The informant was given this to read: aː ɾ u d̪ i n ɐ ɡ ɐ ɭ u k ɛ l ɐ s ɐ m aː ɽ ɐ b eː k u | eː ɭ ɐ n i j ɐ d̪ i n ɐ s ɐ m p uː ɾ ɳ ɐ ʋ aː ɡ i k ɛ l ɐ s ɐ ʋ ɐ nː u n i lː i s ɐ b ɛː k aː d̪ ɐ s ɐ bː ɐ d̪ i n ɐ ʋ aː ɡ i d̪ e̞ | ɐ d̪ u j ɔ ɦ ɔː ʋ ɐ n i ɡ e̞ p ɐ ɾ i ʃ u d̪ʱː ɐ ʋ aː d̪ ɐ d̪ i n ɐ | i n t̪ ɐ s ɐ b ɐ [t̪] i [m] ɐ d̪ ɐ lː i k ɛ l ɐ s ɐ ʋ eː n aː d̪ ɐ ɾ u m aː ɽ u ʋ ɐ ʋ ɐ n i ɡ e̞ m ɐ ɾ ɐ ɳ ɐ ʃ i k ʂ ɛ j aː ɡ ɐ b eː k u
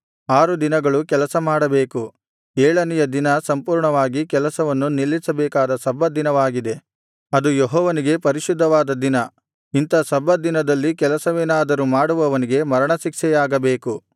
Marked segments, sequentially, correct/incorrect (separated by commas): incorrect, incorrect